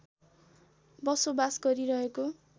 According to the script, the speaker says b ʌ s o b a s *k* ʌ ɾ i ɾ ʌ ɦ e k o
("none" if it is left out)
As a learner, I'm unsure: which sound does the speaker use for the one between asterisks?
ɡ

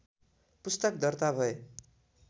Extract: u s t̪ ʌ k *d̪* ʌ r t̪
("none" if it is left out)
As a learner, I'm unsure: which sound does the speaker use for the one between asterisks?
d̪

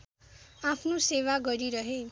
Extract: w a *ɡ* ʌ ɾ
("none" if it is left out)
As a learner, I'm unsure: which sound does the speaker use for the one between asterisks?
ɡ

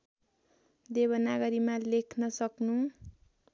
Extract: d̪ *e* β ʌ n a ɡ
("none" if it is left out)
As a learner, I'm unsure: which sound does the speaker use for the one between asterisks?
e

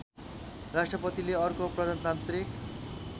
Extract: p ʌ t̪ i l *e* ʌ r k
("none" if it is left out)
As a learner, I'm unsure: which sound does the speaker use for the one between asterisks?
e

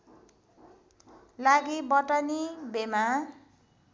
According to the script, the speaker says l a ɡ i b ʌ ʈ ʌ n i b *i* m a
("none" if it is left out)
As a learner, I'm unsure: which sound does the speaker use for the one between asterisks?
e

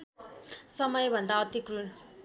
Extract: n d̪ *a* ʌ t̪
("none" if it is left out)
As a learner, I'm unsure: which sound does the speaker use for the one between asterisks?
a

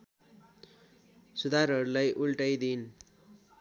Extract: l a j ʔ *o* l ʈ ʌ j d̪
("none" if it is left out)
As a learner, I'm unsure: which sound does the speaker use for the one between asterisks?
u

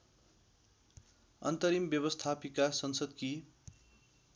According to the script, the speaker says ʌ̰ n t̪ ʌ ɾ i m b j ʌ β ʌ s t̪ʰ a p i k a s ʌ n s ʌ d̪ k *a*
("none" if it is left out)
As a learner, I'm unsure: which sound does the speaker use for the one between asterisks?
i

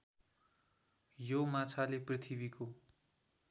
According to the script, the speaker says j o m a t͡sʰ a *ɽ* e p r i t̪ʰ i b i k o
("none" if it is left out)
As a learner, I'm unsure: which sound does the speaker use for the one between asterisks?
l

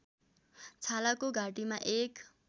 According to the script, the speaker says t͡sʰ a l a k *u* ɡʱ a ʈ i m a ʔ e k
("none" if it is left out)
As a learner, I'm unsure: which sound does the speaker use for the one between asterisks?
o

